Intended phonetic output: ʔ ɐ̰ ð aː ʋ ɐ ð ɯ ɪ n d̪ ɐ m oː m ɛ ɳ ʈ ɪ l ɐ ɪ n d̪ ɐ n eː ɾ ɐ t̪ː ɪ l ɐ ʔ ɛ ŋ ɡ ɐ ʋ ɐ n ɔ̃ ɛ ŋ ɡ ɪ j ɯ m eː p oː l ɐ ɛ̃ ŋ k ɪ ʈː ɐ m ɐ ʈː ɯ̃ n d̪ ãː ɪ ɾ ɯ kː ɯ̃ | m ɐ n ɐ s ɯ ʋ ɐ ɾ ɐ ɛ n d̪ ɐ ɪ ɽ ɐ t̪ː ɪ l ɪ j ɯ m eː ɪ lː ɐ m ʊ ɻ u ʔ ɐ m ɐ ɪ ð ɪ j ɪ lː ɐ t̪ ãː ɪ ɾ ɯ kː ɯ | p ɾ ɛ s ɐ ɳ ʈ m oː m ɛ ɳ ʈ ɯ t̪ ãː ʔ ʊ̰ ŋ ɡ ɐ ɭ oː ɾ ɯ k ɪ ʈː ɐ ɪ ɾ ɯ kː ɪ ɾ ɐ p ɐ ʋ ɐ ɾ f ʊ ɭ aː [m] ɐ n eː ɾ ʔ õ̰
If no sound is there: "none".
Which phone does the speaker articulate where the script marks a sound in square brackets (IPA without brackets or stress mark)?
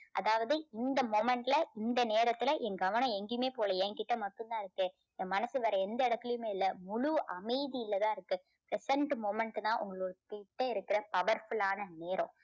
n